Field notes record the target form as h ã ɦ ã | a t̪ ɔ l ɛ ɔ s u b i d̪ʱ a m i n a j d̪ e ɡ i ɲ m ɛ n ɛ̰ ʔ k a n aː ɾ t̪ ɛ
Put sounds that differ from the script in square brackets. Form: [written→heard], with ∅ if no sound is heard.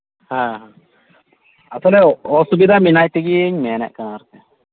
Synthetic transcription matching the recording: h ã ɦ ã | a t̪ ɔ l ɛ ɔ s u b i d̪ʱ a m i n a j [d̪→t̪] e ɡ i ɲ m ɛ n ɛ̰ ʔ k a n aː ɾ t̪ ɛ